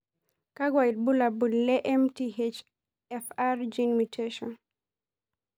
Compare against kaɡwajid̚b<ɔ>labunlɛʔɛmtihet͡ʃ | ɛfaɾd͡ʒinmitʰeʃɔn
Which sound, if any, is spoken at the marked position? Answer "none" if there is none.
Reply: u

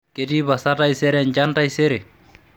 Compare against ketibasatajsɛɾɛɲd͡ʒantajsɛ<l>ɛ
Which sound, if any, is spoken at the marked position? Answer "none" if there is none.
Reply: ɾ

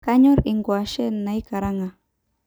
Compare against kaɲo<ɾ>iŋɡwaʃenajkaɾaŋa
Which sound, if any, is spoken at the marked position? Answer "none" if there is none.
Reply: ɾ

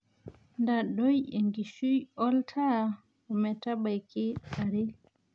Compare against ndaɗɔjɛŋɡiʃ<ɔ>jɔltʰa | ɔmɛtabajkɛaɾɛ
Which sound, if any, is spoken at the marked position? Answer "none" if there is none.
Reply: u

